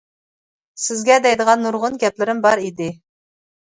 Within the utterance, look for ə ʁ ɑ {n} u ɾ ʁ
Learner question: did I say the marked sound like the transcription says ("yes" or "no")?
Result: no